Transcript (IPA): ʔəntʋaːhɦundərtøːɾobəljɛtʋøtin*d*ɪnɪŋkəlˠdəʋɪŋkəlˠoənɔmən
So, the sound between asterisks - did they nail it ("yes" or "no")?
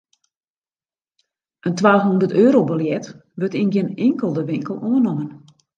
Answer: no